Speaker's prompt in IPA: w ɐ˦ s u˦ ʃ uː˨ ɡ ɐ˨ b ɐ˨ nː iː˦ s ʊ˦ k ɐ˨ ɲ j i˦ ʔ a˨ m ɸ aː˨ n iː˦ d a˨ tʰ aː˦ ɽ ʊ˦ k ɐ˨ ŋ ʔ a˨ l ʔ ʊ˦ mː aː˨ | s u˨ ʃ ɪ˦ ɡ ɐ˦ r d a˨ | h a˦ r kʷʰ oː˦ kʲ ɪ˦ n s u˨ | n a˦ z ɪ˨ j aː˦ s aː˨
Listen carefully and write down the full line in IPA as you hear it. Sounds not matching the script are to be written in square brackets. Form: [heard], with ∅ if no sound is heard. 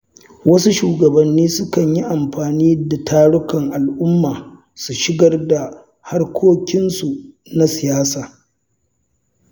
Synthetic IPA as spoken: w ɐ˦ s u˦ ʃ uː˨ ɡ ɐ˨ b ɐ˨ nː iː˦ s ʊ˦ k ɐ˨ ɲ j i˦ ʔ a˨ m ɸ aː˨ n iː˦ d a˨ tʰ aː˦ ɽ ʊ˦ k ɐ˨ ŋ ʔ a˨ l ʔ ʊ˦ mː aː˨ | s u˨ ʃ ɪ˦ ɡ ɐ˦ r d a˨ | h a˦ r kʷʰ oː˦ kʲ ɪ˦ n s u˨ | n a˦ [s] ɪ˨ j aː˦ s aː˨

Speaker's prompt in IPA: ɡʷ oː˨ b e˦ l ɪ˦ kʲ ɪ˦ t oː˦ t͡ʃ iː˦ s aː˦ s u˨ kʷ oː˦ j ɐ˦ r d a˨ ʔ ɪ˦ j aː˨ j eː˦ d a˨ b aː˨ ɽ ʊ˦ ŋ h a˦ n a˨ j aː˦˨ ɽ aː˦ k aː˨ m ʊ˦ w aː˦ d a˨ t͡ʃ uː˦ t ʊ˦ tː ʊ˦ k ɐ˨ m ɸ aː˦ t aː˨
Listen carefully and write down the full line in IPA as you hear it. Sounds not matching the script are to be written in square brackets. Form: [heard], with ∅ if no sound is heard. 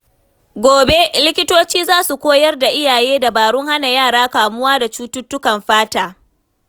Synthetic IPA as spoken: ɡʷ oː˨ b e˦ l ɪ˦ kʲ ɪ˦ t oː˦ t͡ʃ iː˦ [z] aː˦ s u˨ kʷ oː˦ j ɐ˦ r d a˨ ʔ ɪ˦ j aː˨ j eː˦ d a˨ b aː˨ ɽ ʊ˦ ŋ h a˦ n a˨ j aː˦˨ ɽ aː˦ k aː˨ m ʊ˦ w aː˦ d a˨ t͡ʃ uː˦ t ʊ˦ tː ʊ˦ k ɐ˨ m ɸ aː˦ t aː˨

